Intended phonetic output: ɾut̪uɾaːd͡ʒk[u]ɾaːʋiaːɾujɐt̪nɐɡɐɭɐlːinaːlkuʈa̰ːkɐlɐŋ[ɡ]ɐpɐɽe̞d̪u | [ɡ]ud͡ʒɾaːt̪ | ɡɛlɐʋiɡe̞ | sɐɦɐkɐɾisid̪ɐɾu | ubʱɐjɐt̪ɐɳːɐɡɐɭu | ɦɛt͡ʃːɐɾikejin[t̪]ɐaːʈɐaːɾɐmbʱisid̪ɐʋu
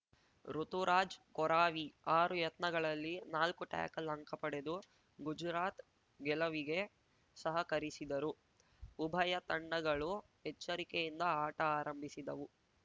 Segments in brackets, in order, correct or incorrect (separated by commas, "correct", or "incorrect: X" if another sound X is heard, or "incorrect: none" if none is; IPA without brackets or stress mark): incorrect: ɔ, incorrect: k, correct, incorrect: d̪